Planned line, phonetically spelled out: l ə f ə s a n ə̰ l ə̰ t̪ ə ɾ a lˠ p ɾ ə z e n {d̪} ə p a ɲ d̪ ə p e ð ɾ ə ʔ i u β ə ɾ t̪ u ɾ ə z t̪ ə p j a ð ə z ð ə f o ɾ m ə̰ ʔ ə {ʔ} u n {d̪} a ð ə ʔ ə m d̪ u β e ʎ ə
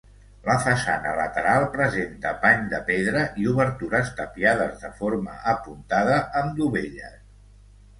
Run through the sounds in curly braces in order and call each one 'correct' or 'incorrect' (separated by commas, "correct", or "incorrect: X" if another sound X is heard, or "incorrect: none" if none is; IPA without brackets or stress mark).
incorrect: t̪, incorrect: p, incorrect: t̪